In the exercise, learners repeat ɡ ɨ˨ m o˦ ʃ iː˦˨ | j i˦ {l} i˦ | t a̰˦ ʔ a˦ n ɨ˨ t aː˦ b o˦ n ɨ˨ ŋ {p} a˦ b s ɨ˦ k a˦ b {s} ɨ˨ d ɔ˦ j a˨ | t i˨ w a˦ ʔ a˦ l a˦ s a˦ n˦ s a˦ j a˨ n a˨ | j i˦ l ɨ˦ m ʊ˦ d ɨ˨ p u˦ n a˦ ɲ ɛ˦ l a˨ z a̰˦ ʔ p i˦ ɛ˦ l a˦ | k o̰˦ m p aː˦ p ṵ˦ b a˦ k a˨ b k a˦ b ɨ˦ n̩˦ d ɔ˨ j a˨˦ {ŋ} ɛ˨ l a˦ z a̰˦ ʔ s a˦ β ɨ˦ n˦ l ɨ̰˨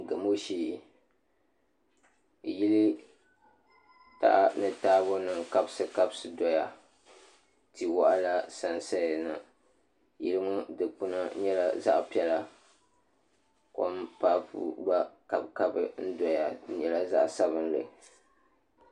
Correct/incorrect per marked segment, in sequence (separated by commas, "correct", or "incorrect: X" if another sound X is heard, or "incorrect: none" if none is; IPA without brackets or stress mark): correct, incorrect: k, correct, incorrect: ɲ